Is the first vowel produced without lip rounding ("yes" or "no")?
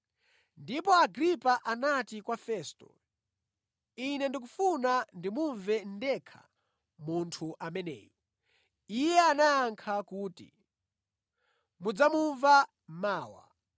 yes